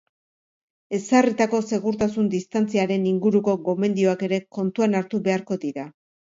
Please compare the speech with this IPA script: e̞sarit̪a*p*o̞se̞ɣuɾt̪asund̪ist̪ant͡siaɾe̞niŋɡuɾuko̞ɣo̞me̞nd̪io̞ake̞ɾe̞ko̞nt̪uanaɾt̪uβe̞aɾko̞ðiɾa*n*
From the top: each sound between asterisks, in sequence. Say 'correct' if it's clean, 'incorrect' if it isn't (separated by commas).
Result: incorrect, incorrect